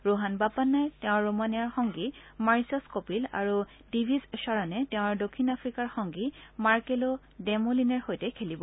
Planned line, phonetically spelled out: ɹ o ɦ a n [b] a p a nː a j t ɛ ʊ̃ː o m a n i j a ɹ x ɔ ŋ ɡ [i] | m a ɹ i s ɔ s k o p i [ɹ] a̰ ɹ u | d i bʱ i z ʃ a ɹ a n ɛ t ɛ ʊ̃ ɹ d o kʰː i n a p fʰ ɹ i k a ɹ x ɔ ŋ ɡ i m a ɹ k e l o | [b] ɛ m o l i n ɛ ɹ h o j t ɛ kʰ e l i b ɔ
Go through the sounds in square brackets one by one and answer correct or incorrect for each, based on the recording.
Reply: correct, correct, incorrect, incorrect

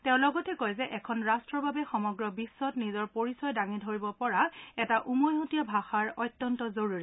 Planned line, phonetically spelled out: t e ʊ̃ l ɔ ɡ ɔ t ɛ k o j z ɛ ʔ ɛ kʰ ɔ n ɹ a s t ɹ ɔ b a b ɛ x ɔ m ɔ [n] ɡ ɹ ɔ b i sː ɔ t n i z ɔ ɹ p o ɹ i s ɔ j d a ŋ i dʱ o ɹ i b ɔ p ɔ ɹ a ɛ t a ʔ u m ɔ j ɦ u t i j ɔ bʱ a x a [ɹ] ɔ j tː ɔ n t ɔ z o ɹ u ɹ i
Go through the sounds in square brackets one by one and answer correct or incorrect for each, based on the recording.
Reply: incorrect, correct

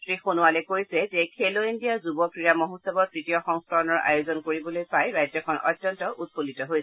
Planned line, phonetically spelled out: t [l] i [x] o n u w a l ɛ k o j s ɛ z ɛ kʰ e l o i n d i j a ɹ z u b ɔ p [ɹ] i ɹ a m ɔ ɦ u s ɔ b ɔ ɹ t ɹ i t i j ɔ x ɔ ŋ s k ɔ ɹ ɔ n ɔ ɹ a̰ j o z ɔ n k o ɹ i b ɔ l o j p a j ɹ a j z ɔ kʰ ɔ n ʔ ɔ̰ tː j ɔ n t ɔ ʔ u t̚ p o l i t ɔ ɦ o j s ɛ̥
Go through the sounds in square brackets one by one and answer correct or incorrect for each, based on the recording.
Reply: incorrect, correct, correct

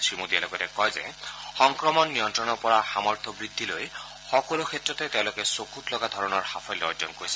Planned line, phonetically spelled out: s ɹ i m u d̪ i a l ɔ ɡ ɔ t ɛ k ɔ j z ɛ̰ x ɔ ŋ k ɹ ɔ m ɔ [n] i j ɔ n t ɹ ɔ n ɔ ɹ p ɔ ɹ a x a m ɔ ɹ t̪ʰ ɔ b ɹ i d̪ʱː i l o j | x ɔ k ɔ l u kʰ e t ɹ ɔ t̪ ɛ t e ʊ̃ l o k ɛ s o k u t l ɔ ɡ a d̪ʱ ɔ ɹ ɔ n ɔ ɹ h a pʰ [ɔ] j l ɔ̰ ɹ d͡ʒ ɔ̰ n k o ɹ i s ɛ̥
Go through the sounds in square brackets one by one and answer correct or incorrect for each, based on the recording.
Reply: incorrect, correct

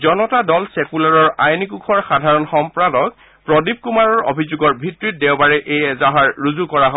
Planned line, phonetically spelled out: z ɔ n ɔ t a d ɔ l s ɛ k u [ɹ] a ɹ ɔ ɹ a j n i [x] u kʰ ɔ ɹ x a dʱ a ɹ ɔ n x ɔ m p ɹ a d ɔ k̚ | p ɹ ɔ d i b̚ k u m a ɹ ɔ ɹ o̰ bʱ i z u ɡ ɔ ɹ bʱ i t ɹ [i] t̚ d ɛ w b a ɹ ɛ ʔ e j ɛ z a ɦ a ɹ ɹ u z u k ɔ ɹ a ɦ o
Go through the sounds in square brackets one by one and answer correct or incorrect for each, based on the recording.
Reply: incorrect, incorrect, correct

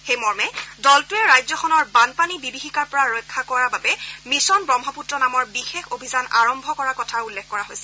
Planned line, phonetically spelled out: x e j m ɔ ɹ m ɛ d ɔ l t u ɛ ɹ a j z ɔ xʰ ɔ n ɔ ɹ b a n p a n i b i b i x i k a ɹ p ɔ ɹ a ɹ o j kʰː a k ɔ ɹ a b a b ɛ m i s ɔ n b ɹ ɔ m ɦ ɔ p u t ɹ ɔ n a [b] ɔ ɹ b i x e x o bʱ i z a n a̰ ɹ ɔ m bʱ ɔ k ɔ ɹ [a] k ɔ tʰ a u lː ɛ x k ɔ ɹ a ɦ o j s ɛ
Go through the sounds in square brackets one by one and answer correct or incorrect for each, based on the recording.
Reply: incorrect, correct

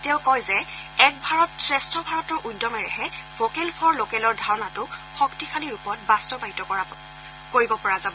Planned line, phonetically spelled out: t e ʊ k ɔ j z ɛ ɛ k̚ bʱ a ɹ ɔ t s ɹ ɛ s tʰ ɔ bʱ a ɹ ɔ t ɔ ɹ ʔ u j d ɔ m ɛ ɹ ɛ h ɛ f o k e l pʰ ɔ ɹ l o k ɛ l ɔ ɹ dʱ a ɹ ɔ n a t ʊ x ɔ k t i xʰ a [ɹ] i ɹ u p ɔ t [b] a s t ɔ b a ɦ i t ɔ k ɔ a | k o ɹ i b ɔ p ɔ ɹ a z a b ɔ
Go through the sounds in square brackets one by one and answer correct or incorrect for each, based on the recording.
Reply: incorrect, correct

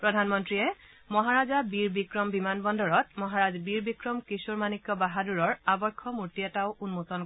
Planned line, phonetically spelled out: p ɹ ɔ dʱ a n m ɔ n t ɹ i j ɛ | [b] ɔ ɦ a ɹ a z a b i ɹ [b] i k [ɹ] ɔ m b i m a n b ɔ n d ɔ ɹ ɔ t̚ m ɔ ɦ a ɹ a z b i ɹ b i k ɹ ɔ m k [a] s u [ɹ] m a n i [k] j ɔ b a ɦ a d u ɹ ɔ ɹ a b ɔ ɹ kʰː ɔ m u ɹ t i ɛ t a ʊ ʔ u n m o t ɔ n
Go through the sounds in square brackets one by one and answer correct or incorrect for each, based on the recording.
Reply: incorrect, correct, correct, incorrect, correct, correct

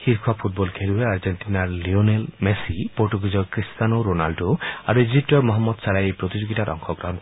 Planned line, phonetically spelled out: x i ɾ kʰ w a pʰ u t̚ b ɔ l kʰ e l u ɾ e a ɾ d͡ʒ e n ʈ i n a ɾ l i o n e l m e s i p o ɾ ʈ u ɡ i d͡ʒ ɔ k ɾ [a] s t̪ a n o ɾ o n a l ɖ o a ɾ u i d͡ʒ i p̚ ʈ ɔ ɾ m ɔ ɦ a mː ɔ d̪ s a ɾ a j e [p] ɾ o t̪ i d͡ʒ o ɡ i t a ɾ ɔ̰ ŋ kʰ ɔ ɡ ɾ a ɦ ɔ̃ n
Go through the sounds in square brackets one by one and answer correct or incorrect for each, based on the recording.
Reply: incorrect, correct

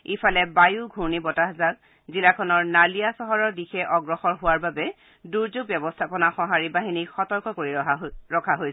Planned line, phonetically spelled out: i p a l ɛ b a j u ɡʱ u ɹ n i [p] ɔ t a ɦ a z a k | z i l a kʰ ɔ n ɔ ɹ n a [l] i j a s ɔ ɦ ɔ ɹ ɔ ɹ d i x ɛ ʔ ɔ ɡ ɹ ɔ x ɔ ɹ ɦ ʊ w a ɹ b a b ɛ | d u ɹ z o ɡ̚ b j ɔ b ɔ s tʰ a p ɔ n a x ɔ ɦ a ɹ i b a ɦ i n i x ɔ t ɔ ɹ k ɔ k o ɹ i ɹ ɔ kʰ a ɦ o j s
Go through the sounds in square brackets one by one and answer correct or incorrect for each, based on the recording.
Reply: incorrect, correct

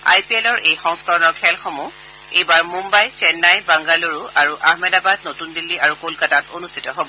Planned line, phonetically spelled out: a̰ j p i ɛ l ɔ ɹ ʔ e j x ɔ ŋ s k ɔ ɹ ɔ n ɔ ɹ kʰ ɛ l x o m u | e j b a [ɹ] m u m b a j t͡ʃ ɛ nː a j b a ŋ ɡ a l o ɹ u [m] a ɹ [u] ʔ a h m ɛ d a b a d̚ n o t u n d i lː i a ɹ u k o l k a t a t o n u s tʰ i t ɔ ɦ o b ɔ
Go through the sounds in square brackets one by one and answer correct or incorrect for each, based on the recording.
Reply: correct, incorrect, correct

